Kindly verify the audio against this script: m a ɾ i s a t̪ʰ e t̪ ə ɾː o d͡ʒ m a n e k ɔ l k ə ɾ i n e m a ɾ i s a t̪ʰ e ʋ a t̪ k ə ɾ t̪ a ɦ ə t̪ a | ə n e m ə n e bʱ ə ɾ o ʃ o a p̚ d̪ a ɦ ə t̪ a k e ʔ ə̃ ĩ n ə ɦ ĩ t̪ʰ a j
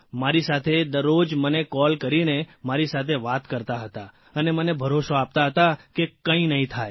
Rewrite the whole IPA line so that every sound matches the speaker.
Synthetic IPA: m a ɾ i s a t̪ʰ e d̪ ə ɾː o d͡ʒ m ə n e k ɔ l k ə ɾ i n e m a ɾ i s a t̪ʰ e ʋ a t̪ k ə ɾ t̪ a ɦ ə t̪ a | ə n e m ə n e bʱ ə ɾ o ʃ o a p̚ t̪ a ɦ ə t̪ a k e k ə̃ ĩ n ə ɦ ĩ t̪ʰ a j

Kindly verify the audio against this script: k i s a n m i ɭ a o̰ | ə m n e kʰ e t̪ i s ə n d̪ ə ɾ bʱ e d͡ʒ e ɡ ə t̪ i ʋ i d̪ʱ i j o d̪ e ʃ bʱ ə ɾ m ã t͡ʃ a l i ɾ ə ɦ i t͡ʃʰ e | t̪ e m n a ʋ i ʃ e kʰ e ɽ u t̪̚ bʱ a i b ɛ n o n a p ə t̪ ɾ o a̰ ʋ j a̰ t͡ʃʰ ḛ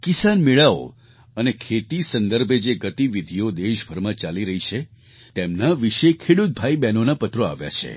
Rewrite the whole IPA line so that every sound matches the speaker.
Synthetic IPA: k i s a n m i ɭ a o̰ | ə n e kʰ e t̪ i s ə n d̪ ə ɾ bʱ e d͡ʒ e ɡ ə t̪ i ʋ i d̪ʱ i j o d̪ e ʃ bʱ ə ɾ m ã t͡ʃ a l i ɾ ə ɦ i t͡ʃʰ e | t̪ e m n a ʋ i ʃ e kʰ e ɽ u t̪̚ bʱ a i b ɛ n o n a p ə t̪ ɾ o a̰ ʋ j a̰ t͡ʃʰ ḛ

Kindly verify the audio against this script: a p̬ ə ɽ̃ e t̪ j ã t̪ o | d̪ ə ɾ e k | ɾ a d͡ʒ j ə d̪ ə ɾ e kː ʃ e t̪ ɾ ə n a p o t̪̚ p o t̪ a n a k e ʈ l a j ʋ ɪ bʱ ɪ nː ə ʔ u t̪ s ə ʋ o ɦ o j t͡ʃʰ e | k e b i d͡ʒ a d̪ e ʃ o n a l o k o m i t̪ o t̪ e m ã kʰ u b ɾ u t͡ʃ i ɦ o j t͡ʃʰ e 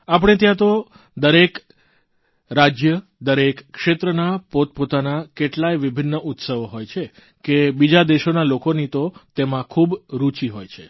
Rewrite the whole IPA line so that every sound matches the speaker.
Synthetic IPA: a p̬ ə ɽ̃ e t̪ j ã t̪ o | d̪ ə ɾ e k | ɾ a d͡ʒ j ə d̪ ə ɾ e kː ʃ e t̪ ɾ ə n a p o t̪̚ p o t̪ a n a k e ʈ l a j ʋ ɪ bʱ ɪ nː ə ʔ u t̪ s ə ʋ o ɦ o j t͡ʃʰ e | k e b i d͡ʒ a d̪ e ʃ o n a l o k o n i t̪ o t̪ e m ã kʰ u b ɾ u t͡ʃ i ɦ o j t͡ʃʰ e

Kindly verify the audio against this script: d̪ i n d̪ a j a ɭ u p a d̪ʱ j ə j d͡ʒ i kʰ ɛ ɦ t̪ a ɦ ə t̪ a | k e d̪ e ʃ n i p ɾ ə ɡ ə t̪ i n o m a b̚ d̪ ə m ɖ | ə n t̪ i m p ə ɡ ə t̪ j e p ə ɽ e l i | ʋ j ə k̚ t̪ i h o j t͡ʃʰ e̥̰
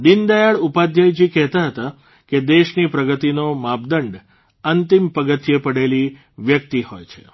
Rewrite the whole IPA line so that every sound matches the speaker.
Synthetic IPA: d̪ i n d̪ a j a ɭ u p a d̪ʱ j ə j d͡ʒ i k ɛ ɦ t̪ a ɦ ə t̪ a | k e d̪ e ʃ n i p ɾ ə ɡ ə t̪ i n o m a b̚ d̪ ə ɳ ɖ | ə n t̪ i m p ə ɡ ə t̪ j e p ə ɽ e l i | ʋ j ə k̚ t̪ i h o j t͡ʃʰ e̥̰

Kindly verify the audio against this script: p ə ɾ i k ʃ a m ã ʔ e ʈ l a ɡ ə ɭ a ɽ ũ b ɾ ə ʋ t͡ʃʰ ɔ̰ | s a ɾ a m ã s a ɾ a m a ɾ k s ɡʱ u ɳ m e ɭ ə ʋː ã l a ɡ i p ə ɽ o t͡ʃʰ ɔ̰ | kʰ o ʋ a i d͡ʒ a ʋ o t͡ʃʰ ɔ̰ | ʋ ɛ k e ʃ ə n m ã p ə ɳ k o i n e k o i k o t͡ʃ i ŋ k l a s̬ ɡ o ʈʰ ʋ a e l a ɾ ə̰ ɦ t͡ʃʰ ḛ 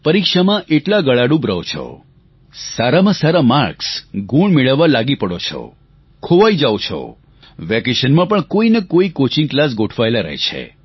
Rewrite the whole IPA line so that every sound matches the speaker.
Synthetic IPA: p ə ɾ i k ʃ a m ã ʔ e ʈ l a ɡ ə ɭ a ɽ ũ b ɾ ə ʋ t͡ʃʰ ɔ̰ | s a ɾ a m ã s a ɾ a m a ɾ k s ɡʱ u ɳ m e ɭ ə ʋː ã l a ɡ i p ə ɽ o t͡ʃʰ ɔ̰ | kʰ o ʋ a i d͡ʒ a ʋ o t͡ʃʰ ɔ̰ | ʋ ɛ k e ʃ ə n m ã p ə ɳ k o i n e k o i k o t͡ʃ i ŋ k l a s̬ ɡ o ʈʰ ʋ a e l a ɾ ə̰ ɦ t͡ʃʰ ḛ

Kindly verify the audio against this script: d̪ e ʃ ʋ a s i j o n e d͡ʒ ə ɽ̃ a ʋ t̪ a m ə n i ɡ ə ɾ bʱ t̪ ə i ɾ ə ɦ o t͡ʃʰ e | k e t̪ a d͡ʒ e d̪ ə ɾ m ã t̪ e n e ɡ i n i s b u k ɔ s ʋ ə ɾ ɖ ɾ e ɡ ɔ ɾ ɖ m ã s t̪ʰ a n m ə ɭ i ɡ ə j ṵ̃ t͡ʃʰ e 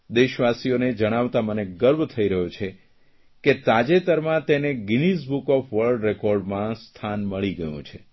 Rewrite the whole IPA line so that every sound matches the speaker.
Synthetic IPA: d̪ e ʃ ʋ a s i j o n e d͡ʒ ə ɽ̃ a ʋ t̪ a m ə n e ɡ ə ɾ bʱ t̪ʰ ə i ɾ ə ɦ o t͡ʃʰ e | k e t̪ a d͡ʒ e t̪ ə ɾ m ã t̪ e n e ɡ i n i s b u k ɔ f ʋ ə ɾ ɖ ɾ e k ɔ ɾ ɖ m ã s t̪ʰ a n m ə ɭ i ɡ ə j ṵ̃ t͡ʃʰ e

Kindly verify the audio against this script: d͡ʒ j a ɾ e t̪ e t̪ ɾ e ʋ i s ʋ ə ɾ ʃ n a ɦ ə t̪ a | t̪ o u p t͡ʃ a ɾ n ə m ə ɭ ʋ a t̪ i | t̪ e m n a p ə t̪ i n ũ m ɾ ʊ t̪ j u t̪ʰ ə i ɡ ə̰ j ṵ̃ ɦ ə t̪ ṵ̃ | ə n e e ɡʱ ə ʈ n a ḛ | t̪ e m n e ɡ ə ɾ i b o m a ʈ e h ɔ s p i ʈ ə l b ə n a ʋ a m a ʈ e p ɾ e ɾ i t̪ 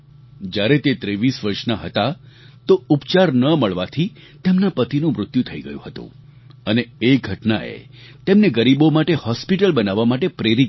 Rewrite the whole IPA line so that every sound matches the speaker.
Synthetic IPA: d͡ʒ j a ɾ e t̪ e t̪ ɾ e ʋ i s ʋ ə ɾ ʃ n a ɦ ə t̪ a | t̪ o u p t͡ʃ a ɾ n ə m ə ɭ ʋ a t̪ʰ i | t̪ e m n a p ə t̪ i n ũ m ɾ ʊ t̪ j u t̪ʰ ə i ɡ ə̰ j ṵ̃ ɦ ə t̪ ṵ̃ | ə n e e ɡʱ ə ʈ n a ḛ | t̪ e m n e ɡ ə ɾ i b o m a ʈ e h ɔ s p i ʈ ə l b ə n a ʋ a m a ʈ e p ɾ e ɾ i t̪

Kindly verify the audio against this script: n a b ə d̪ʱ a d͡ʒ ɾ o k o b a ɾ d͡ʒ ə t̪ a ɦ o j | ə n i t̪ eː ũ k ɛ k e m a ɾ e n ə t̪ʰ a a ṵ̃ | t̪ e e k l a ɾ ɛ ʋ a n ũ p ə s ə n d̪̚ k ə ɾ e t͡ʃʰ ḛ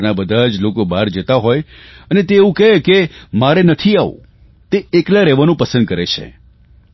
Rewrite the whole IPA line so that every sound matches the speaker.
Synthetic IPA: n a b ə d̪ʱ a d͡ʒ l o k o b a ɾ d͡ʒ ə t̪ a ɦ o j | ə n e t̪ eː ũ k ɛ k e m a ɾ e n ə t̪ʰ i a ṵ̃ | t̪ e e k l a ɾ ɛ ʋ a n ũ p ə s ə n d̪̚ k ə ɾ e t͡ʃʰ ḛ

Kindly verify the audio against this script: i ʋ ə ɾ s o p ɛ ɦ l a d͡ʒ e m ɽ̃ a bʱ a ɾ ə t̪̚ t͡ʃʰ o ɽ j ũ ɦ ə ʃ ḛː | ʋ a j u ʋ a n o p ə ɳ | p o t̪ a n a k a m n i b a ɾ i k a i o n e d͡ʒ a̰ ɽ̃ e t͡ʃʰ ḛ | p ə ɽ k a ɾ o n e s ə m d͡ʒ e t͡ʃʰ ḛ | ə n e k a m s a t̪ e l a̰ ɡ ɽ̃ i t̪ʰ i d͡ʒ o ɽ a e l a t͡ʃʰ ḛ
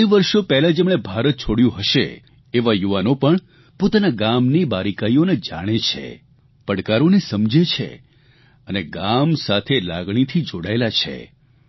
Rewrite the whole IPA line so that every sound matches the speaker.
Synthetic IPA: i ʋ ə ɾ ʃ o p ɛ ɦ l a d͡ʒ e m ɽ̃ e bʱ a ɾ ə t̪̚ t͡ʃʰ o ɽ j ũ ɦ ə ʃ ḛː | ʋ a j u ʋ a n o p ə ɳ | p o t̪ a n a ɡ a m n i b a ɾ i k a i o n e d͡ʒ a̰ ɽ̃ e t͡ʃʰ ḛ | p ə ɽ k a ɾ o n e s ə m d͡ʒ e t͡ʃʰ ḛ | ə n e ɡ a m s a t̪ʰ e l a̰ ɡ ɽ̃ i t̪ʰ i d͡ʒ o ɽ a e l a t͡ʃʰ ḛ

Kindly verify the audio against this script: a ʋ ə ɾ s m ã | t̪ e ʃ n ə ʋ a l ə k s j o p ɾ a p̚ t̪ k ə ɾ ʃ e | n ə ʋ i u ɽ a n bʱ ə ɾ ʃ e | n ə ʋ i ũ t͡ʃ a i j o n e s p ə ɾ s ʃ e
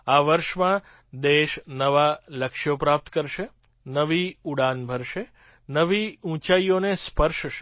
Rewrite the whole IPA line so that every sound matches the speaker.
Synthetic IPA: a ʋ ə ɾ ʃ m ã | d̪ e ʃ n ə ʋ a l ə k ʃ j o p ɾ a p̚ t̪ k ə ɾ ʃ e | n ə ʋ i u ɽ a n bʱ ə ɾ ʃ e | n ə ʋ i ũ t͡ʃ a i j o n e s p ə ɾ ʃ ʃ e

